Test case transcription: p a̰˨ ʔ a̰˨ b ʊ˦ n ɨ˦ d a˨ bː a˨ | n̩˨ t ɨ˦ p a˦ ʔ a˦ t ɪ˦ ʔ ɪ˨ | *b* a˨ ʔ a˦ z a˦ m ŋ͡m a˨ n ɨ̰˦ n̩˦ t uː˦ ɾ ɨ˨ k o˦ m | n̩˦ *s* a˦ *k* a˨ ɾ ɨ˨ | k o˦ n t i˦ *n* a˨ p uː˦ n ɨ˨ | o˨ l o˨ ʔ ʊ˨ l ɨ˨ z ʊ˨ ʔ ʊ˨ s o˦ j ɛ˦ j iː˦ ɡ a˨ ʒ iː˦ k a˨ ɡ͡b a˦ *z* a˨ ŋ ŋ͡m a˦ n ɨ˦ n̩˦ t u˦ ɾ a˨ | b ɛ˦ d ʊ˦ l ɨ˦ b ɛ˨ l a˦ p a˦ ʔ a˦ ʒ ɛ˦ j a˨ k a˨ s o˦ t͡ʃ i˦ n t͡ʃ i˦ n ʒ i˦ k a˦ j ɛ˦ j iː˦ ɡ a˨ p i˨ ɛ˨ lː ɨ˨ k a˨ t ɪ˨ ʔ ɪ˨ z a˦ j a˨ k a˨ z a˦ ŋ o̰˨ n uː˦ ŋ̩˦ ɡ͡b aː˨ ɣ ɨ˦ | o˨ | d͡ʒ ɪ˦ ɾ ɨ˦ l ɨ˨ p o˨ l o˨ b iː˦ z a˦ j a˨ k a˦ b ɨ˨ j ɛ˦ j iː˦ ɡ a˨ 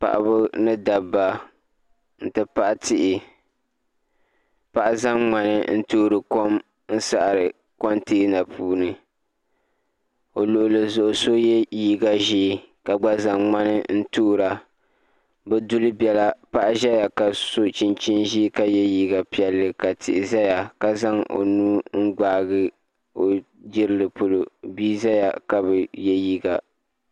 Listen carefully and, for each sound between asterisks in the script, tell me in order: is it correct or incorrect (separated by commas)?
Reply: incorrect, correct, incorrect, correct, correct